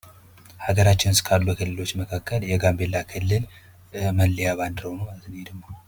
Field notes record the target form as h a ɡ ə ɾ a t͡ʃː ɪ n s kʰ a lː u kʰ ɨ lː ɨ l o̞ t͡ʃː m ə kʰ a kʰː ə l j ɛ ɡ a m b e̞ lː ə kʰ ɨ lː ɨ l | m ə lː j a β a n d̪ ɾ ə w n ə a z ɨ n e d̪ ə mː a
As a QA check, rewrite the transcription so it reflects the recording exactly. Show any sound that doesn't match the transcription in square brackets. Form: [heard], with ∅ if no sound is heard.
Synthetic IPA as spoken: h a ɡ ə ɾ a t͡ʃː ɪ n s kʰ a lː u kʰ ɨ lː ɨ l o̞ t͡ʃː m ə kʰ a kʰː ə l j ɛ ɡ a m b e̞ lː [a] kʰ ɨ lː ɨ l | m ə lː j a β a n d̪ ɾ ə w n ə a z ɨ n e d̪ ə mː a